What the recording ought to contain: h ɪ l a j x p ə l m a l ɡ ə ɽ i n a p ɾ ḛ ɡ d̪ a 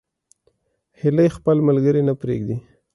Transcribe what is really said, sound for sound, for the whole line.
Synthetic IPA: h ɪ l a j x p ə l m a l ɡ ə ɾ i n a p ɾ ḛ ɡ d̪ i